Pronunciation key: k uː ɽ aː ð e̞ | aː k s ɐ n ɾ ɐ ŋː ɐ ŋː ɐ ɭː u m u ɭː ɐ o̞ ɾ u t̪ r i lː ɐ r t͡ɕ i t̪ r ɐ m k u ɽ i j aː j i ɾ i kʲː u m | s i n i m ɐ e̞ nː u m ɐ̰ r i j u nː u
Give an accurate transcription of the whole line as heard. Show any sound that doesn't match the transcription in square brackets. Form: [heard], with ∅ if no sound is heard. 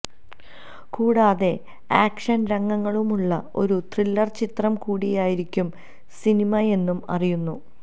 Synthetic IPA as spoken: k uː ɽ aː ð e̞ | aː k [ʂ] ɐ n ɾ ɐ ŋː ɐ ŋː ɐ [ɭ] u m u ɭː ɐ o̞ ɾ u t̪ r i lː ɐ r t͡ɕ i t̪ r ɐ m k [uː] ɽ i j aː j i ɾ i kʲː u m | s i n i m ɐ e̞ nː u m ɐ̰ r i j u nː u